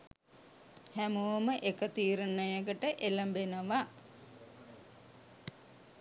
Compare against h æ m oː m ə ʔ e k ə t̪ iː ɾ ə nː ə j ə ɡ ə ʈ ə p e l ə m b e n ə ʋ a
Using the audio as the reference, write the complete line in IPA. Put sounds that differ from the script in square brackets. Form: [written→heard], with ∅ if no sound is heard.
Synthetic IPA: h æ m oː m ə ʔ e k ə t̪ iː ɾ ə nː ə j ə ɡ ə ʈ ə [p→ʔ] e l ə m b e n ə ʋ a